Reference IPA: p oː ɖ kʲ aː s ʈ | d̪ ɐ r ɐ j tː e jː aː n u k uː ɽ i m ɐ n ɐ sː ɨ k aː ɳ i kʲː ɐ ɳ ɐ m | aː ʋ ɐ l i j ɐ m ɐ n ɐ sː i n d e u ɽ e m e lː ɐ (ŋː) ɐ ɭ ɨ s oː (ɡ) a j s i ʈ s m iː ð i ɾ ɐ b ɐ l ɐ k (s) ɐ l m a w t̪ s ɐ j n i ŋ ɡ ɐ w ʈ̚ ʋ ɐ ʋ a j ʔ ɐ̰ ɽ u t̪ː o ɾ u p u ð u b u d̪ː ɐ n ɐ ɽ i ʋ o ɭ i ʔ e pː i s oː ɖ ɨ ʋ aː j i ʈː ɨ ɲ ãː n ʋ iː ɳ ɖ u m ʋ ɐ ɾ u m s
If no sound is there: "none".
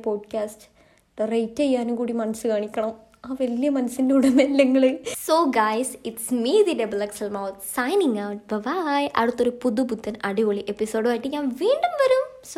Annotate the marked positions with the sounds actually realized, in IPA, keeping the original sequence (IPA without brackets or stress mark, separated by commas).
ŋː, ɡ, s